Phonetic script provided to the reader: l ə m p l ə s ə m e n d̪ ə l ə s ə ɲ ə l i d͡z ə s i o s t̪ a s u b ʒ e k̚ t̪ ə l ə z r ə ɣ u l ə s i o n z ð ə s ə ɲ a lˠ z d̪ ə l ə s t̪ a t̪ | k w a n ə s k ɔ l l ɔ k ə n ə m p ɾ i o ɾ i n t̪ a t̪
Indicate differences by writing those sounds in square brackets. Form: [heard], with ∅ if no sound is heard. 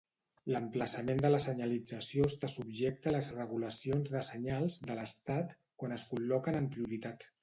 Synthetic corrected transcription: l ə m p l ə s ə m e n d̪ ə l ə s ə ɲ ə l i d͡z ə s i o s t̪ a s u b ʒ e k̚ t̪ ə l ə z r ə ɣ u l ə s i o n z ð ə s ə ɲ a lˠ z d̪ ə l ə s t̪ a t̪ | k w a n ə s k [u] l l ɔ k ə n ə m p ɾ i [u] ɾ i [∅] t̪ a t̪